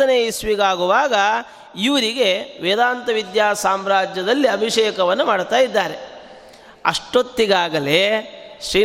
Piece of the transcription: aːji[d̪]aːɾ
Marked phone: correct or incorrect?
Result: incorrect